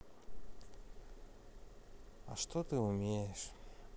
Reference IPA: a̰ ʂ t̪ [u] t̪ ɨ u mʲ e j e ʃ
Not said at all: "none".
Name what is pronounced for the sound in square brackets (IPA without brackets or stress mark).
o